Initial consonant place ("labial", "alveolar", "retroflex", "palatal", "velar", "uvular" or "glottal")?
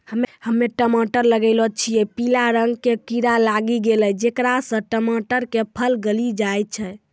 glottal